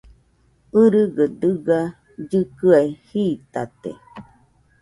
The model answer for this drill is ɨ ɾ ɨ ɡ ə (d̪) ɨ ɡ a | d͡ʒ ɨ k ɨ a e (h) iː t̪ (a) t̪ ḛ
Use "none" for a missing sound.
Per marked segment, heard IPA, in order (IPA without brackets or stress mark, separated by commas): d̪, h, a